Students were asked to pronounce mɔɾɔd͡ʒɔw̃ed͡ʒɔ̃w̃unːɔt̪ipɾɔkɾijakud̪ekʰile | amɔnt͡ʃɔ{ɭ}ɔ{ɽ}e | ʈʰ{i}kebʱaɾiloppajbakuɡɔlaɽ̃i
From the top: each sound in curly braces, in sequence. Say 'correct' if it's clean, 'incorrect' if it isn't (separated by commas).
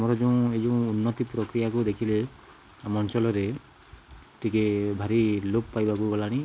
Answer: incorrect, incorrect, correct